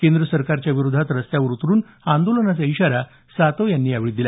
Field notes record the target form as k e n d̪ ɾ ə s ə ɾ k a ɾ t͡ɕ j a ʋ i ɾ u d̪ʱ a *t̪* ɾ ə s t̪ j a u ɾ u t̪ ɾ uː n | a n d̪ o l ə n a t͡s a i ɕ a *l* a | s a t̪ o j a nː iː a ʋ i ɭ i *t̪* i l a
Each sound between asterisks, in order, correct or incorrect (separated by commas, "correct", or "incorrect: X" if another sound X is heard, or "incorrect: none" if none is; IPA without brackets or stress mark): correct, incorrect: ɾ, incorrect: d̪